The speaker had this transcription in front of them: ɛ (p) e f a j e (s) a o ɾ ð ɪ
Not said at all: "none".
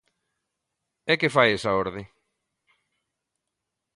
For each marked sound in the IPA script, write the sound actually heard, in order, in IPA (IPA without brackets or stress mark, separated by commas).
k, s